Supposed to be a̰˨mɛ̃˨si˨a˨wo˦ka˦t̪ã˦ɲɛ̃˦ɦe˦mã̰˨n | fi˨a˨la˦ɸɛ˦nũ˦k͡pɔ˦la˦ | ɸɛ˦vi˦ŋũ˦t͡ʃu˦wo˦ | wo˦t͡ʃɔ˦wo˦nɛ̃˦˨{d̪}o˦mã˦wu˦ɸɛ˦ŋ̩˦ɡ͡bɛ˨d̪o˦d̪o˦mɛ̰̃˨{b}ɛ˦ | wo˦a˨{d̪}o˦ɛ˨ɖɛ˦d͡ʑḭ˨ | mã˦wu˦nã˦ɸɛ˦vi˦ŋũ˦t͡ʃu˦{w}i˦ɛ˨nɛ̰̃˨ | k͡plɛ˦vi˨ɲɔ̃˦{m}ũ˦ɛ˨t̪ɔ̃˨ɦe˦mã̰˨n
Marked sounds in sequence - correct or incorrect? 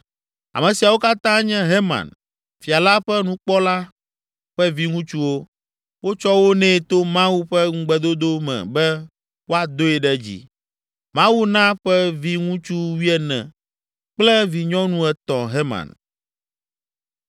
incorrect, correct, correct, correct, incorrect

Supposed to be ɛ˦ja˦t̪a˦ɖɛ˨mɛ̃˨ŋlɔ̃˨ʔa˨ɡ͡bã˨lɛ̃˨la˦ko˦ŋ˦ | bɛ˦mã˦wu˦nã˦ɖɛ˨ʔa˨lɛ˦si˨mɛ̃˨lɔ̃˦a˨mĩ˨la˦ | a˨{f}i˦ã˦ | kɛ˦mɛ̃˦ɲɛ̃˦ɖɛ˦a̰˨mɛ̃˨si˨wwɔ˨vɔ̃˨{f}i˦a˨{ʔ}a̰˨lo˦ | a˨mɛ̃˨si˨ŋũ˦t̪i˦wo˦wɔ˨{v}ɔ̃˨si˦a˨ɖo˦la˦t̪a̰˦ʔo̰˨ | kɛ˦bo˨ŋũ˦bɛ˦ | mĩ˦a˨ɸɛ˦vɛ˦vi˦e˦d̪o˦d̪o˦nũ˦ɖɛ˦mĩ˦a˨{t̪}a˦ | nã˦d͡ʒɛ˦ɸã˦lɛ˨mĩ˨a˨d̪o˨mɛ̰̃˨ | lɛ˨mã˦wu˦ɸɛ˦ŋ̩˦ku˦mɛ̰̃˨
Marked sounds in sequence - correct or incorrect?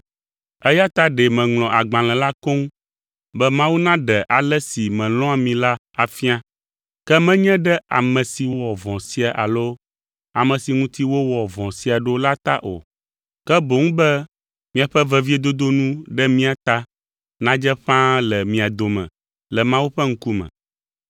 correct, incorrect, correct, correct, correct

